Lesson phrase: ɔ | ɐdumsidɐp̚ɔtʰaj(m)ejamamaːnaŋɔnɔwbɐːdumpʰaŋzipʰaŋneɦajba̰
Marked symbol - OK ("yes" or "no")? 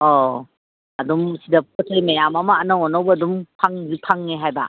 yes